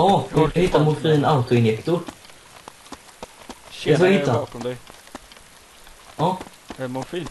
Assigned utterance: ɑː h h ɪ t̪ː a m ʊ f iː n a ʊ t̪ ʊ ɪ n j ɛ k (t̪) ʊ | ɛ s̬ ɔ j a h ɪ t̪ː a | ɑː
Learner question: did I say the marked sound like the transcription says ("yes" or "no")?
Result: yes